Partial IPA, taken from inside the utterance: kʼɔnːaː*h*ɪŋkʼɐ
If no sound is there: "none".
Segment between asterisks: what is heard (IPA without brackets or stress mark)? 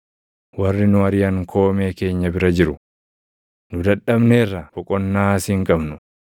s